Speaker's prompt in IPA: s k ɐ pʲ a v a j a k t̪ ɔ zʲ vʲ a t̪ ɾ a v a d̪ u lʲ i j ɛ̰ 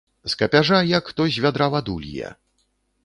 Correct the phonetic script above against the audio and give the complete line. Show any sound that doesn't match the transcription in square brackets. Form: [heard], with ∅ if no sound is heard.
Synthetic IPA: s k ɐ pʲ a [ʐ] a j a k t̪ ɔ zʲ vʲ a [d̪] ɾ a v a d̪ u lʲ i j ɛ̰

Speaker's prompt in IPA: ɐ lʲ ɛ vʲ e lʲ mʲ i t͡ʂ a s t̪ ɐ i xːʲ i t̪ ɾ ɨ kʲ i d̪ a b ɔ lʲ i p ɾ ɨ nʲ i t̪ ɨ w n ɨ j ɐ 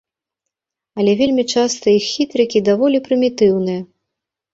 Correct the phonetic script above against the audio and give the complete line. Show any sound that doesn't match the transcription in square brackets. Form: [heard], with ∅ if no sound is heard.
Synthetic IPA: ɐ lʲ ɛ vʲ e lʲ mʲ i t͡ʂ a s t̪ ɐ i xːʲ i t̪ ɾ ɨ kʲ i d̪ a [v] ɔ lʲ i p ɾ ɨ [mʲ] i t̪ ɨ w n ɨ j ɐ

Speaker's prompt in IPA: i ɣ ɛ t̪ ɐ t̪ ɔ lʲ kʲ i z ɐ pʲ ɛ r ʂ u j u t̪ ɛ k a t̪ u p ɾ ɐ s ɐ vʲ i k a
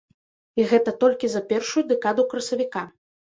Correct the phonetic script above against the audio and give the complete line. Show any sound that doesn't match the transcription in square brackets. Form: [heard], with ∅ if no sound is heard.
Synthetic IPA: i ɣ ɛ t̪ ɐ t̪ ɔ lʲ kʲ i z ɐ pʲ ɛ r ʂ u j u [d̪] ɛ k a [d̪] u [k] ɾ ɐ s ɐ vʲ i k a

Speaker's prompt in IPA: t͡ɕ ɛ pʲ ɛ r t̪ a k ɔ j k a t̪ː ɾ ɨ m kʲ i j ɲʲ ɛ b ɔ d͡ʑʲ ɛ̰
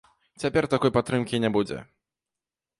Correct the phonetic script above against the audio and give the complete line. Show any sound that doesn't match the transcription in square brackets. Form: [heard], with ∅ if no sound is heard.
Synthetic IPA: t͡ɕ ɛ pʲ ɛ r t̪ a k ɔ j [p] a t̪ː ɾ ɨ m kʲ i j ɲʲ ɛ b [u] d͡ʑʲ ɛ̰

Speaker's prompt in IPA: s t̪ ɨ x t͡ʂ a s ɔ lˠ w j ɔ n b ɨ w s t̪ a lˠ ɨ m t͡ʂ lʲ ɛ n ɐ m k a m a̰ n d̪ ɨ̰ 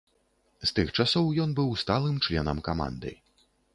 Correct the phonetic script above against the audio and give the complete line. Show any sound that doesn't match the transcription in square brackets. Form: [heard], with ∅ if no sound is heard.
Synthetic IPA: s t̪ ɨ x t͡ʂ a s ɔ [∅] w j ɔ n b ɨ w s t̪ a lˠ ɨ m t͡ʂ lʲ ɛ n ɐ m k a m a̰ n d̪ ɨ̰

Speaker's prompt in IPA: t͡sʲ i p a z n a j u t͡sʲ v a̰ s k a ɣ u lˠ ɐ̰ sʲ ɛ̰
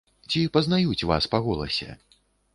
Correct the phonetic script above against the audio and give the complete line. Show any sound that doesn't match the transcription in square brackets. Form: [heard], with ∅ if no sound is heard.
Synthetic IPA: t͡sʲ i p [ɐ] z n a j u t͡sʲ v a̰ s [p] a ɣ [ɔ] lˠ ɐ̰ sʲ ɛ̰

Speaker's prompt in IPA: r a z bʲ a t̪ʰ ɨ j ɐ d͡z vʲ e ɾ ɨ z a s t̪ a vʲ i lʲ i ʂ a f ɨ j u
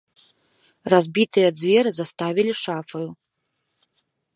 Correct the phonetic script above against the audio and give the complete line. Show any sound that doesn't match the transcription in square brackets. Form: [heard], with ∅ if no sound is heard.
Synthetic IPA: r a z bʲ [i] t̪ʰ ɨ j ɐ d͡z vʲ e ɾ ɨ z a s t̪ a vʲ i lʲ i ʂ a f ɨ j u

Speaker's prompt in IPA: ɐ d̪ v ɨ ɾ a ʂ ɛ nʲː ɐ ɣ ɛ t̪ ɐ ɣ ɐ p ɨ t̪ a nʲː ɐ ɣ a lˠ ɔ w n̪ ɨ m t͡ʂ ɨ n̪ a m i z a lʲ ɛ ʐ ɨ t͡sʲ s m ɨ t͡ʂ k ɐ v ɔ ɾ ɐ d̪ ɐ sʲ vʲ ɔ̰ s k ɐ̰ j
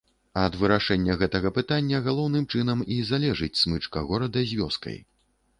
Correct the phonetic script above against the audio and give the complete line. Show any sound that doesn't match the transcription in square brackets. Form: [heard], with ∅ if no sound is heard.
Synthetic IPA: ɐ d̪ v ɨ ɾ a ʂ ɛ nʲː ɐ ɣ ɛ t̪ ɐ ɣ ɐ p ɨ t̪ a nʲː ɐ ɣ a lˠ ɔ w n̪ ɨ m t͡ʂ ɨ n̪ [ɐ] m i z a lʲ ɛ ʐ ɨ t͡sʲ s m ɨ t͡ʂ k ɐ [ɣ] ɔ ɾ ɐ d̪ ɐ [zʲ] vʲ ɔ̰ s k ɐ̰ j

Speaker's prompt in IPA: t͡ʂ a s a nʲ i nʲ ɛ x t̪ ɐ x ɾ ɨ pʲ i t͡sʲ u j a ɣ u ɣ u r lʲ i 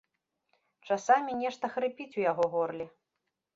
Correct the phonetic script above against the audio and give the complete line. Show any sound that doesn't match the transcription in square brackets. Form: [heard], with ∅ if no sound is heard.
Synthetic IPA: t͡ʂ a s a [mʲ] i nʲ ɛ [ʂ] t̪ ɐ x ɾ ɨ pʲ i t͡sʲ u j a ɣ [ɔ] ɣ [ɔ] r lʲ i

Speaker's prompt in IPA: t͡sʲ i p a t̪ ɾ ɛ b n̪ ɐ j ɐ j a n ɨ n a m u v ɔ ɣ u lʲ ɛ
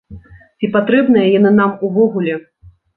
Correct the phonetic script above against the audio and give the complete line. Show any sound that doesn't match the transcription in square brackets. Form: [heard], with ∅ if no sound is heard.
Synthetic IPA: t͡sʲ i p a t̪ ɾ ɛ b n̪ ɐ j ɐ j a n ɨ n a m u v ɔ ɣ u lʲ ɛ

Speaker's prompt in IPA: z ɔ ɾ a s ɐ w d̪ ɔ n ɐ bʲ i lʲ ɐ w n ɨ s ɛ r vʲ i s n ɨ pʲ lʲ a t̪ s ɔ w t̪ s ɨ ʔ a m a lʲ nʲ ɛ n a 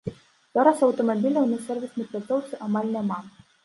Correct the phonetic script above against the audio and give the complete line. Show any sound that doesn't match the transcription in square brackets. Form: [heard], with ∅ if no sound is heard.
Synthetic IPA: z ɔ ɾ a s ɐ w [t̪] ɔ [m] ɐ bʲ i lʲ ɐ w n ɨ s ɛ r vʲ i s n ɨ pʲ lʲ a t̪ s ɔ w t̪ s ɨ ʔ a m a lʲ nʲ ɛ [m] a

